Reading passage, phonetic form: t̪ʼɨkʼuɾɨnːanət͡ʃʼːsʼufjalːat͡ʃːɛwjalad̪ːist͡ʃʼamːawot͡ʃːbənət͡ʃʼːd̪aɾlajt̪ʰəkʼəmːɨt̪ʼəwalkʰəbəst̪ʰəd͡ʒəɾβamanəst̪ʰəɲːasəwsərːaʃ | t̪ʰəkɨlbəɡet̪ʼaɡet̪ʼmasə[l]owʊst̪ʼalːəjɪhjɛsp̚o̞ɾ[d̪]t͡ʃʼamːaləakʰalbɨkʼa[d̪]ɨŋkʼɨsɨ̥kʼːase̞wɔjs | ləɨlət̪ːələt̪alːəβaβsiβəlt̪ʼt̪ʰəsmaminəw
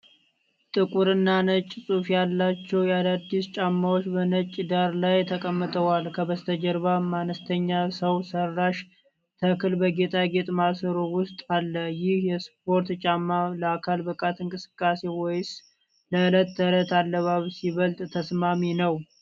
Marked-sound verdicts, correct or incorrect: incorrect: ɾ, incorrect: t̪, incorrect: t̪

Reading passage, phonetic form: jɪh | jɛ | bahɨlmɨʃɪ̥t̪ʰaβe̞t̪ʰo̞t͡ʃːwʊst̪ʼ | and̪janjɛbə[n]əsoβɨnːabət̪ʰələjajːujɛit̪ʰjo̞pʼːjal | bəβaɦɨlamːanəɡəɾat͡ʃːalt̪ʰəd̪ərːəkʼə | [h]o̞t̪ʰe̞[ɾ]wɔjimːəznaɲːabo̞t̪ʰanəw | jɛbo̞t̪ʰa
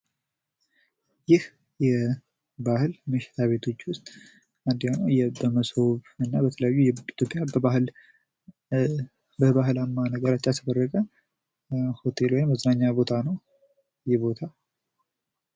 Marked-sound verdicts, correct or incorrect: incorrect: m, correct, incorrect: l

